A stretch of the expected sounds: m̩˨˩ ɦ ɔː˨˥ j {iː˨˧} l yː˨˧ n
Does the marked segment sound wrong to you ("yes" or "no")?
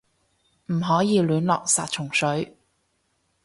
no